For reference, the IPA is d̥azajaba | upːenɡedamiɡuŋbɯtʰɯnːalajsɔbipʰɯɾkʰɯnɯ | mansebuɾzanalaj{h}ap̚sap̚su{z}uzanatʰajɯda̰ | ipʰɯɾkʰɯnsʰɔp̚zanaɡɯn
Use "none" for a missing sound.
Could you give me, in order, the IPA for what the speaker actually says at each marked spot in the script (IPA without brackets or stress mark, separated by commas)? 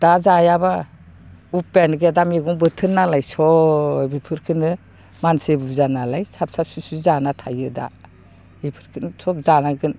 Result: s, s